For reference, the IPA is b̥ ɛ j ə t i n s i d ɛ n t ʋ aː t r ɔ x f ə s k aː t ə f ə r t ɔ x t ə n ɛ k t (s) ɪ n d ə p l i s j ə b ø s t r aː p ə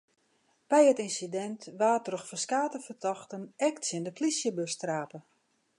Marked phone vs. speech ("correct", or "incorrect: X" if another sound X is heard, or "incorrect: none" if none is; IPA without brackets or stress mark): correct